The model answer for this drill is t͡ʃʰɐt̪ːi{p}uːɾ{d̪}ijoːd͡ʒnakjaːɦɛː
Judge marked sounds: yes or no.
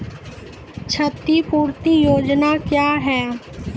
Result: yes, no

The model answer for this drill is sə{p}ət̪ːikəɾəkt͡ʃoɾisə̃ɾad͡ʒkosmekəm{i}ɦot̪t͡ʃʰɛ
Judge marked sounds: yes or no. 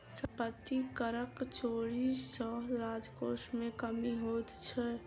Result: yes, yes

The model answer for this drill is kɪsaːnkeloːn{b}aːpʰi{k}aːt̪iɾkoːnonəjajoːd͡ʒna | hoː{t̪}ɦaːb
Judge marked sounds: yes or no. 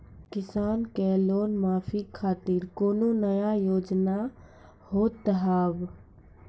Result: no, no, yes

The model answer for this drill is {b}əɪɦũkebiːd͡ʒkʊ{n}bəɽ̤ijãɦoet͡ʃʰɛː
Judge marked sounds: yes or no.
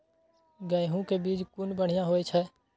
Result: no, yes

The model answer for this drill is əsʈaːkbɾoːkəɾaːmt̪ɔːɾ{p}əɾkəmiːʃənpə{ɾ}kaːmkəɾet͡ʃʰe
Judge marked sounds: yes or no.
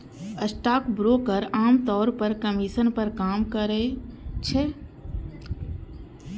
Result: yes, yes

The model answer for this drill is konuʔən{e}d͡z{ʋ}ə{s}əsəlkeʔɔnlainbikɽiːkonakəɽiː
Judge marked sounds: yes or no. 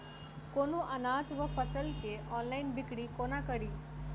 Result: no, yes, no

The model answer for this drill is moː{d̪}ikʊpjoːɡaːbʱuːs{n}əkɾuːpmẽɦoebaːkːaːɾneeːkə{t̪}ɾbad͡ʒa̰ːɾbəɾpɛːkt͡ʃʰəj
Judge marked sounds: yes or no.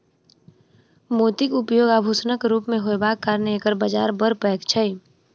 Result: no, yes, no

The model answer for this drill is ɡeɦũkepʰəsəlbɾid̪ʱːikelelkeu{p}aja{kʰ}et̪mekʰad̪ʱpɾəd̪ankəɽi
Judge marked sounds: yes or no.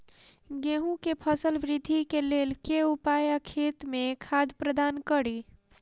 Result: yes, yes

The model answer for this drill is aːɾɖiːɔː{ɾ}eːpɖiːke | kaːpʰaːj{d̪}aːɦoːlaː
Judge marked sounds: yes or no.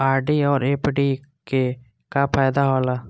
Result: yes, yes

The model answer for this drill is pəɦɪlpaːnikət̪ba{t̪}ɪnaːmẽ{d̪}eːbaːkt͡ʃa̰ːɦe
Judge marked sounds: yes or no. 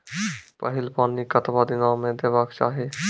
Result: no, yes

